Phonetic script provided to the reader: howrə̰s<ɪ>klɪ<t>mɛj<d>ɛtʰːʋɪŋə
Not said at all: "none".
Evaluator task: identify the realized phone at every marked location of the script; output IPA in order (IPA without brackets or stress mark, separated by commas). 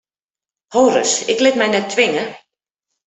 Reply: ɪ, t, n